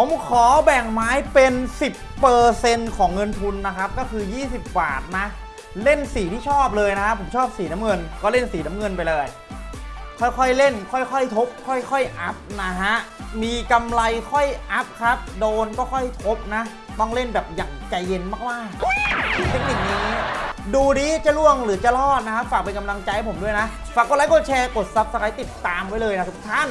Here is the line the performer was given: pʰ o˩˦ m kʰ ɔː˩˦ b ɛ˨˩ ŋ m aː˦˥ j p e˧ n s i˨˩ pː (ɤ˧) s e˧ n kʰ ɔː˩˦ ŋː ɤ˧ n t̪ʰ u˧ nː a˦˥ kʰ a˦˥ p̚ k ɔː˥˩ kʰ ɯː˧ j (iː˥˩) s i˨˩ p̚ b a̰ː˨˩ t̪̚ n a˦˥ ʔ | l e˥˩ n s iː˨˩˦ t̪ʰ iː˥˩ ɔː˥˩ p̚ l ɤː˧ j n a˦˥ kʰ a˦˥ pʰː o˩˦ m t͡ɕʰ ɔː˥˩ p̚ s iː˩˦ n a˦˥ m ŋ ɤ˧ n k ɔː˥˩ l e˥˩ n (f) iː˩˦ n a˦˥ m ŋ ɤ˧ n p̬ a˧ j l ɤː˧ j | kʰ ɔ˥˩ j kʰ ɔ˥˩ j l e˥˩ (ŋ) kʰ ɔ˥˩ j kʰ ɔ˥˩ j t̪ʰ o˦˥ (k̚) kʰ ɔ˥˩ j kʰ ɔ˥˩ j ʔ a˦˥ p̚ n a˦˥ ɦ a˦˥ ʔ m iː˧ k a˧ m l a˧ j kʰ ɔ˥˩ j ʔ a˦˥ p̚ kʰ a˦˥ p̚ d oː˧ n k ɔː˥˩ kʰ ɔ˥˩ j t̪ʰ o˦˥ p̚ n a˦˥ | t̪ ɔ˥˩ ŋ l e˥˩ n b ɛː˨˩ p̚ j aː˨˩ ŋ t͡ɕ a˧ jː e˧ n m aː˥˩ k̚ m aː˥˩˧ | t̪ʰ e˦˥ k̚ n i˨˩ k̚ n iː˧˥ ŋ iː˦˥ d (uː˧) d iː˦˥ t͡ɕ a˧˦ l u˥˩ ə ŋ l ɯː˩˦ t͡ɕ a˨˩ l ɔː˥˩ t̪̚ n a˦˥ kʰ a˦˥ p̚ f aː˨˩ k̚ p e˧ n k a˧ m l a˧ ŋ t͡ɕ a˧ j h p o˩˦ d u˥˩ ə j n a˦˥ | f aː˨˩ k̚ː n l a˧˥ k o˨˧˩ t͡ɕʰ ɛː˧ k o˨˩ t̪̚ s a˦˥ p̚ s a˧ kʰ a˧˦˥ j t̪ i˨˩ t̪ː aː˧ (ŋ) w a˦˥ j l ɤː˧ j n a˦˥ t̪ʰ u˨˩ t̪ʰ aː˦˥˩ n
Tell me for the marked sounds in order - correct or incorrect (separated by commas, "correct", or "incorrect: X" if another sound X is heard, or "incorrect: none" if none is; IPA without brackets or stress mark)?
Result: incorrect: ɤː˧, correct, incorrect: s, incorrect: n, incorrect: p̚, correct, incorrect: m